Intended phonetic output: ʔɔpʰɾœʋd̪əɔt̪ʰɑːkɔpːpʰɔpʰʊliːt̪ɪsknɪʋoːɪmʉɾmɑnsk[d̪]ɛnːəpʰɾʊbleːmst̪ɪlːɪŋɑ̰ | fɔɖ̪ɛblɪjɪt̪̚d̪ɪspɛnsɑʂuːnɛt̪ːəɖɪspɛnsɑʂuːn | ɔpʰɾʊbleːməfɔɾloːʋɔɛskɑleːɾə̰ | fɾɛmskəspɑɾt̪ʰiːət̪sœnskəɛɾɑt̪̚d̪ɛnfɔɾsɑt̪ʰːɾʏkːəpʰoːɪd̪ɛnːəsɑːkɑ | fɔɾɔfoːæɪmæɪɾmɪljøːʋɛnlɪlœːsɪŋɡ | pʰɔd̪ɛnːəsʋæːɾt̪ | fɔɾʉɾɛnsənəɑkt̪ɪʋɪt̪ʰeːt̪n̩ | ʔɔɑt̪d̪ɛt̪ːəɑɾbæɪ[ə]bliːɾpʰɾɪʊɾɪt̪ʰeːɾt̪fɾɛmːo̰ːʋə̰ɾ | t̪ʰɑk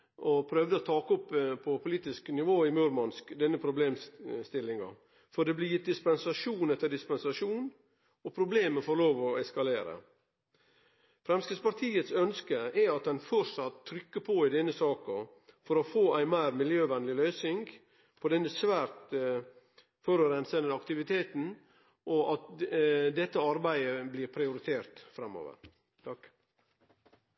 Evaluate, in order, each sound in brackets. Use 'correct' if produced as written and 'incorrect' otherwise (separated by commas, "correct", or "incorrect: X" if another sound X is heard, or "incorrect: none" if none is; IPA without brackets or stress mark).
correct, correct